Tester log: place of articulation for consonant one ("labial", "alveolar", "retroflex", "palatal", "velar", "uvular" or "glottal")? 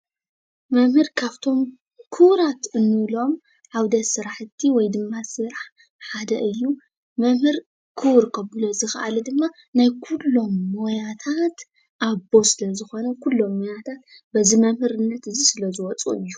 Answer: labial